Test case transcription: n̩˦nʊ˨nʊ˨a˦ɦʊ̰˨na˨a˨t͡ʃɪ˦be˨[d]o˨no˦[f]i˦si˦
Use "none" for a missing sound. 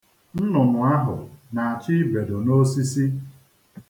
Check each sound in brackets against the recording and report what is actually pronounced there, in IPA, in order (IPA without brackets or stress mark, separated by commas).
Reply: d, s